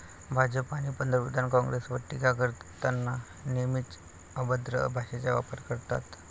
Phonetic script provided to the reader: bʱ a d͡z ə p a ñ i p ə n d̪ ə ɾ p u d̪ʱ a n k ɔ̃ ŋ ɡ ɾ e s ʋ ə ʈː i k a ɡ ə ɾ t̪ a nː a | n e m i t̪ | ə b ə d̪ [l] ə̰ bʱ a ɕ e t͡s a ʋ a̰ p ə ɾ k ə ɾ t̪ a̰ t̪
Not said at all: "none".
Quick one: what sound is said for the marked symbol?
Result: ɾ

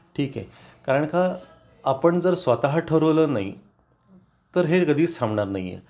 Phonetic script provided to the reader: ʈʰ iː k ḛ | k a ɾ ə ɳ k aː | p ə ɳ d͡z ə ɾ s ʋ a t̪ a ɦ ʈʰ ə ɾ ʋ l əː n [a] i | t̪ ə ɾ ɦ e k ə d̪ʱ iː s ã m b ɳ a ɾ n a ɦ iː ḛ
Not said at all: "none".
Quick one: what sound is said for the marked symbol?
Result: a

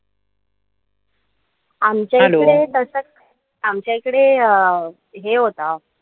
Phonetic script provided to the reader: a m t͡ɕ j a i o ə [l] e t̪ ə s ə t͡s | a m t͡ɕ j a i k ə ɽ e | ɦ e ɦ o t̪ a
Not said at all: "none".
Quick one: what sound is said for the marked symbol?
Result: ɽ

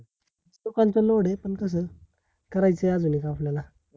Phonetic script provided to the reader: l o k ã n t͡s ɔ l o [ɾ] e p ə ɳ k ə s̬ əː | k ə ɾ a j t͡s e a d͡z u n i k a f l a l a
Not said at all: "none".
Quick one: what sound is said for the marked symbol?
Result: ɽ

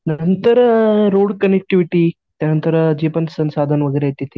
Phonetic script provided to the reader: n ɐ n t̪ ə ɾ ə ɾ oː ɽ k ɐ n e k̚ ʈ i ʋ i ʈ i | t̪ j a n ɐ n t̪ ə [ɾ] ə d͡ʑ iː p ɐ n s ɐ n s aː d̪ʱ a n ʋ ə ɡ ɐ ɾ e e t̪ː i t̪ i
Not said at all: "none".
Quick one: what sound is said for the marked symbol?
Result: ɾ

